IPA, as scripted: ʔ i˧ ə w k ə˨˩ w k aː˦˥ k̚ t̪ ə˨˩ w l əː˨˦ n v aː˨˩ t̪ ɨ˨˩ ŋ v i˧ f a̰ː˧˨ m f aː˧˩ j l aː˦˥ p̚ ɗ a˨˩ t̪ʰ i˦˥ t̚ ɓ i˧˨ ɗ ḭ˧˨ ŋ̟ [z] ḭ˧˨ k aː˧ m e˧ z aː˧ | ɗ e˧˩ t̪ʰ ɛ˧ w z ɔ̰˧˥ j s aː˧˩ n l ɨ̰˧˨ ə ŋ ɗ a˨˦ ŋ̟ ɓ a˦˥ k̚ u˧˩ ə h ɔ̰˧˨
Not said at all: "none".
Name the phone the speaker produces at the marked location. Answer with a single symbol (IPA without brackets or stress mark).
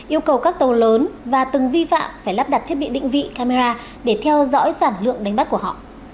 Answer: v